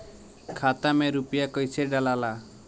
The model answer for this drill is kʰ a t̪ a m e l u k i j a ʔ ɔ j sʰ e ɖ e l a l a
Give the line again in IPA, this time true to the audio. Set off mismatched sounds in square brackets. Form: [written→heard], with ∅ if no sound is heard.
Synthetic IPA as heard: kʰ a t̪ a m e [l→ɾ] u [k→p] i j a [ʔ→k] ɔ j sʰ e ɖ [e→a] l a l a